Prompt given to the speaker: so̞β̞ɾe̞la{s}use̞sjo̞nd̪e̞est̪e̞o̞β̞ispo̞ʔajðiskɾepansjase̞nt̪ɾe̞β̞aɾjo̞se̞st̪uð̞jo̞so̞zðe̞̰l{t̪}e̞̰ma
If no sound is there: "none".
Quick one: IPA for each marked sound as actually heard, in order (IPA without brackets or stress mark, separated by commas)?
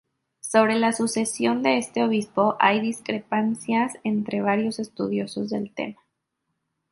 s, t̪